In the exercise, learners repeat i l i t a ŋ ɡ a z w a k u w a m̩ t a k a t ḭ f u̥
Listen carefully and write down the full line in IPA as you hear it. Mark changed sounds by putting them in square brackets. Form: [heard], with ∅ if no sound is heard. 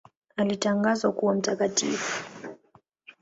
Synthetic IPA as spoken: [a] l i t a ŋ ɡ a z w a k u w a m̩ t a k a t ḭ f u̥